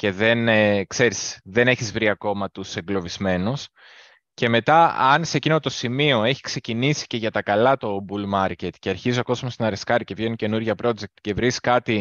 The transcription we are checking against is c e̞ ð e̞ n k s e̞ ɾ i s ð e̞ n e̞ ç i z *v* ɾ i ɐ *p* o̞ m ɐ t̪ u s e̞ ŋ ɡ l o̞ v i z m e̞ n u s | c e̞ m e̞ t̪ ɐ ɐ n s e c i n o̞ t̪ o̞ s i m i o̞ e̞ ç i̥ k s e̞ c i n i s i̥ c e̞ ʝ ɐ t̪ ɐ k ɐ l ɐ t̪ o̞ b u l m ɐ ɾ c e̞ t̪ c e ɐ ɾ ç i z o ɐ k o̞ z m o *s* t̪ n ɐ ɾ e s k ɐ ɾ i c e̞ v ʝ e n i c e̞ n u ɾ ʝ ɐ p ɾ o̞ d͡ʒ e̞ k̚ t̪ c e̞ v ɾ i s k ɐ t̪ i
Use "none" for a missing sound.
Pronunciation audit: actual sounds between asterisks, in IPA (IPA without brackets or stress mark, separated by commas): v, k, s